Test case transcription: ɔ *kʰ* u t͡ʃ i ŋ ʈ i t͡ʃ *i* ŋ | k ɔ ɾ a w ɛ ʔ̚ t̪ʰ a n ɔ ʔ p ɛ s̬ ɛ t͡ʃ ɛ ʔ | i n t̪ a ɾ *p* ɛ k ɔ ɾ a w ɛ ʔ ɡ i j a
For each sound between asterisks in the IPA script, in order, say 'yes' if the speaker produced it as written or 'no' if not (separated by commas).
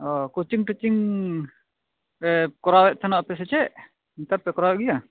no, yes, yes